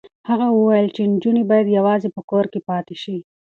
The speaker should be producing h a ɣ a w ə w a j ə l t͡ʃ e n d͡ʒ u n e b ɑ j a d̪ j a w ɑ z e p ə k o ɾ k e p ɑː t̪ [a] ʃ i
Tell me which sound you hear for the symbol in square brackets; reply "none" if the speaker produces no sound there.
e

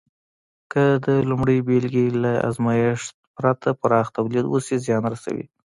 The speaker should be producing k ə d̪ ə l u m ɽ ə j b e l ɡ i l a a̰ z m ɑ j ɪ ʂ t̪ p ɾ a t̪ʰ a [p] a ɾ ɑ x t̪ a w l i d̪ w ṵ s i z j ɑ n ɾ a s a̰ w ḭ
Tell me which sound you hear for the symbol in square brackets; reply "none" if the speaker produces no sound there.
p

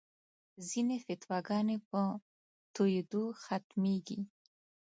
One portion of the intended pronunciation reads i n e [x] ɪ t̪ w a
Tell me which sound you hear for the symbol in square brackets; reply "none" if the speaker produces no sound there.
f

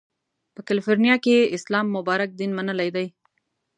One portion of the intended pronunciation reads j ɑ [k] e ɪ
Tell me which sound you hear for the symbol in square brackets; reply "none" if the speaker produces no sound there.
k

